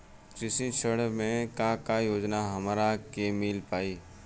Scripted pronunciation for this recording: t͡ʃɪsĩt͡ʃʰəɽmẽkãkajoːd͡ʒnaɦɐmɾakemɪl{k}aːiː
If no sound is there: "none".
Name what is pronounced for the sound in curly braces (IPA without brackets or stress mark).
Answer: p